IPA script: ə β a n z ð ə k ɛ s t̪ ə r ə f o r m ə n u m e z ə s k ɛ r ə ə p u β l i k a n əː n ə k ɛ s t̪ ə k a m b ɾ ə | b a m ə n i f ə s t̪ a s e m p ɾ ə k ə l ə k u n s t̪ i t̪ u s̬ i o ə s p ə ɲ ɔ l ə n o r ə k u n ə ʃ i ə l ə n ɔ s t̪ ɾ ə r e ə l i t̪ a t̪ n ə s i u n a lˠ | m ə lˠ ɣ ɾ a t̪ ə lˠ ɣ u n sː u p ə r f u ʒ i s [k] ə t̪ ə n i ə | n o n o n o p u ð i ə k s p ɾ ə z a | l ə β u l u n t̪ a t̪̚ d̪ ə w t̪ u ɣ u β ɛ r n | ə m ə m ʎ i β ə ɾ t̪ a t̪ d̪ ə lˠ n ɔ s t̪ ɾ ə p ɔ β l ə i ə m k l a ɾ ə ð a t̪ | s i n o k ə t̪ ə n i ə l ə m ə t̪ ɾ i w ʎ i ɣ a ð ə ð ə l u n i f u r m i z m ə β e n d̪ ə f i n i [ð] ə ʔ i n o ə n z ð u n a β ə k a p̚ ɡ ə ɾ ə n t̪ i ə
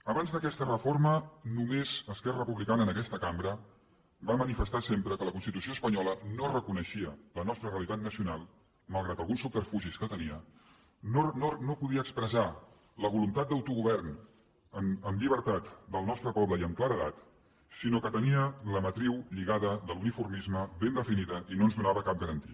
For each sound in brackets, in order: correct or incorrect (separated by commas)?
correct, correct